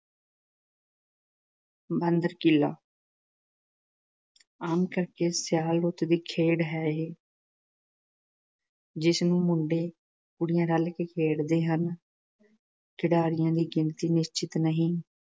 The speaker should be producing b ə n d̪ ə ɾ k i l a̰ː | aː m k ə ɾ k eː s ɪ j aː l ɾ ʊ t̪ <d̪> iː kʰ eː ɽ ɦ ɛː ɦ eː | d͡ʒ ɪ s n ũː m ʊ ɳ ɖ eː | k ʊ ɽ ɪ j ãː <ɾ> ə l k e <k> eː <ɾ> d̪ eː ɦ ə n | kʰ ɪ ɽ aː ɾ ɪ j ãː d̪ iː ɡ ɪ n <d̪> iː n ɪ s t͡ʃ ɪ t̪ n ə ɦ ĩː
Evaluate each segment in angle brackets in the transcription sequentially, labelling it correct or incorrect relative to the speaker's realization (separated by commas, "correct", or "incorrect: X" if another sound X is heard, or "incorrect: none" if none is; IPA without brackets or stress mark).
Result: correct, correct, incorrect: kʰ, incorrect: ɽ, incorrect: t̪